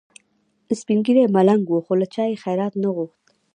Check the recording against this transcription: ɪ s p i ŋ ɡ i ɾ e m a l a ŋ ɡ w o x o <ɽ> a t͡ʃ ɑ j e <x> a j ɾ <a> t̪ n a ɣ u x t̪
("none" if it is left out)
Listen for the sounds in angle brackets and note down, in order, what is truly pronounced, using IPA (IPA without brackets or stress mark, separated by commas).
l, x, ɑ